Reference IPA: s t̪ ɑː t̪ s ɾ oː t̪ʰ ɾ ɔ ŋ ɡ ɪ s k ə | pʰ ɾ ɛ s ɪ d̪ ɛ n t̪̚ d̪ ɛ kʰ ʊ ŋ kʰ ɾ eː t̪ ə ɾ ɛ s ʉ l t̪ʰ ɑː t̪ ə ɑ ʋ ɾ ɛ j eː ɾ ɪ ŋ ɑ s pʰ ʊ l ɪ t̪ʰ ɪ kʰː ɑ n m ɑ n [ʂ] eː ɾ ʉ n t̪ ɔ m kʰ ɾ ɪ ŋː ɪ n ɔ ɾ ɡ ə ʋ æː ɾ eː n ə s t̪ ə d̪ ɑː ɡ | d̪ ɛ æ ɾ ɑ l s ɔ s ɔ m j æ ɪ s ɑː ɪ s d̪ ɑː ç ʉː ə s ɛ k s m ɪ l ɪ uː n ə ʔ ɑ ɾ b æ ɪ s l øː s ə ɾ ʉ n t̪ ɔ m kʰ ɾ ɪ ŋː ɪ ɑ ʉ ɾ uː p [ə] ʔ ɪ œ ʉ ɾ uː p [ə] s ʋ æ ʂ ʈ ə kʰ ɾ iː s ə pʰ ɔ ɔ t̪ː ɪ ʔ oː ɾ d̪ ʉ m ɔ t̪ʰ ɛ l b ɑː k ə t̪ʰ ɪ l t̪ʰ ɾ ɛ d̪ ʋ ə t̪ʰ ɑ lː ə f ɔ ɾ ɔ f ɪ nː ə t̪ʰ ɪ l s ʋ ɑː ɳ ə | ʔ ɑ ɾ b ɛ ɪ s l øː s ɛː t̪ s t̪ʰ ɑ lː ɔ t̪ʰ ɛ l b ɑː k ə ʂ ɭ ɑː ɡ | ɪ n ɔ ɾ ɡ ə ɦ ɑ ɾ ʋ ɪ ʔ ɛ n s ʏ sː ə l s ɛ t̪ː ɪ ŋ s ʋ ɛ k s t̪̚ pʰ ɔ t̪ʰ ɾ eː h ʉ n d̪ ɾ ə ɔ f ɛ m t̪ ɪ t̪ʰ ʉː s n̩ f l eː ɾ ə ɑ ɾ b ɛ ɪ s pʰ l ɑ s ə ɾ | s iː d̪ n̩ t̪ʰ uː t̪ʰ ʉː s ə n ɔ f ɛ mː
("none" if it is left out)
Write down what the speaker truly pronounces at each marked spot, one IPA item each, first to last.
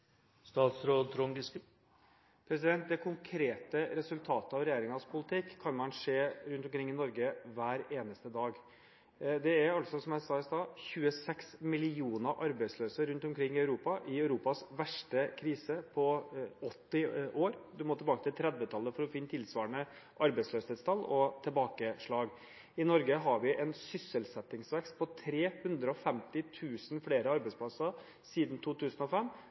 ʂ, ɑ, ɑ

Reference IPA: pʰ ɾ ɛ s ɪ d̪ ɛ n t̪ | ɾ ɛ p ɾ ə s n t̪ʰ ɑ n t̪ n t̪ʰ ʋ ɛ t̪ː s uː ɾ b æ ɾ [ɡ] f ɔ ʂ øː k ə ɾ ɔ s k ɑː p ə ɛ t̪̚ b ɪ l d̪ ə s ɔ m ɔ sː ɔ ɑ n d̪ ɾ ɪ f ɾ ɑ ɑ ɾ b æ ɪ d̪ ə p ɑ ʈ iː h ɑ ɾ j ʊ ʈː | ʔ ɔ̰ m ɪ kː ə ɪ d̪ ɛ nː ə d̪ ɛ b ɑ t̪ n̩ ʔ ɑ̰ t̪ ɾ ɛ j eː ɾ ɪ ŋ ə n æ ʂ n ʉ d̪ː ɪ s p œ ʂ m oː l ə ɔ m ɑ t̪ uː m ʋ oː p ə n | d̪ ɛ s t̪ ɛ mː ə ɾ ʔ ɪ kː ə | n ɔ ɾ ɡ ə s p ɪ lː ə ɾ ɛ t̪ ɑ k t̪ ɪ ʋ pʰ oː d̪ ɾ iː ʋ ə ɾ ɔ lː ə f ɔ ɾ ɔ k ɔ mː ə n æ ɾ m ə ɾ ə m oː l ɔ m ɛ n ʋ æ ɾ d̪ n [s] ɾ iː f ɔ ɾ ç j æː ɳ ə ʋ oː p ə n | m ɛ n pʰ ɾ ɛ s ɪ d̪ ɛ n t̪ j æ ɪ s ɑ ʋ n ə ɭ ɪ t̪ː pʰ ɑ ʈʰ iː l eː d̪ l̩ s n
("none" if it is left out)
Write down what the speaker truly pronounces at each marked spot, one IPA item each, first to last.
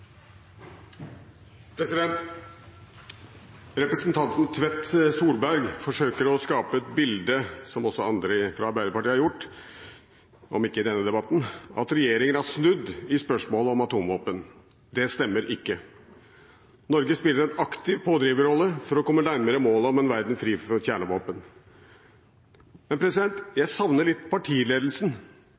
ɡ, f

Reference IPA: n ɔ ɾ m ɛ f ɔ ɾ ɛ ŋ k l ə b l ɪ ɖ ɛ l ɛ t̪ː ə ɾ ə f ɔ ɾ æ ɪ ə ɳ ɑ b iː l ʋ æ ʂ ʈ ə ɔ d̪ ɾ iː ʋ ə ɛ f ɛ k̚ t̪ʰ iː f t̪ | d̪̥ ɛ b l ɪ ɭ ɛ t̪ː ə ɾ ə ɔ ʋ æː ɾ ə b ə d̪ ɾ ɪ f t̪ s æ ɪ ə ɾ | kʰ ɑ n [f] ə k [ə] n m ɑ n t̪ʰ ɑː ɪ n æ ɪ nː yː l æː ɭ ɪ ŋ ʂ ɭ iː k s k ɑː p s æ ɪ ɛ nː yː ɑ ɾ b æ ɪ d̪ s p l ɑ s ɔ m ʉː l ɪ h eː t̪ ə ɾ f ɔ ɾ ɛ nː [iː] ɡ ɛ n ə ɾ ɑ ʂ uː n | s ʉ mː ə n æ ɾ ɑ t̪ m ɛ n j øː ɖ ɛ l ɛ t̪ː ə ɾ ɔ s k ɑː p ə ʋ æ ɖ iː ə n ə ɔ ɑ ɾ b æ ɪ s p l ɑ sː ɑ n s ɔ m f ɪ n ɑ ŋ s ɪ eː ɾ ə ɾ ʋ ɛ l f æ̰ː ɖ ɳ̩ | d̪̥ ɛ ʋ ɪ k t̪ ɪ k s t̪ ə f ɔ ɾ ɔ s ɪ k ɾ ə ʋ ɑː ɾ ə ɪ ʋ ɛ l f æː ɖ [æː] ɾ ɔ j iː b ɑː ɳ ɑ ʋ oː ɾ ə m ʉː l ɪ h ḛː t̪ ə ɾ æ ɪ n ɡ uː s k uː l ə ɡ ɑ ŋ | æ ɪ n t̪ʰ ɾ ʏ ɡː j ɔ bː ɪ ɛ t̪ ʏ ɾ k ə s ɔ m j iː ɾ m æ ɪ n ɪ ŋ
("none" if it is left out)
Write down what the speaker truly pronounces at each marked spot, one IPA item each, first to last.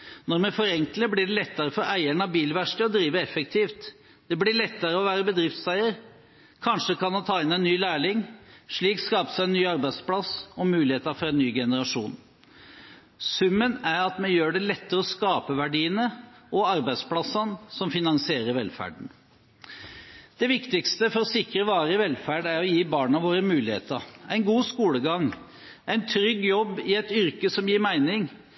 ʂ, ɑ, yː, æ

